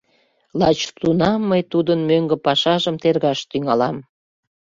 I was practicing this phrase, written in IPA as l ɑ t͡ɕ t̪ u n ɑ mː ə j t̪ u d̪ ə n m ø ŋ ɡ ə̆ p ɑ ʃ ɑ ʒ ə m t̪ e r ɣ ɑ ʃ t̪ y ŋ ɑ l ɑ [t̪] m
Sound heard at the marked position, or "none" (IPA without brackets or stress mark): none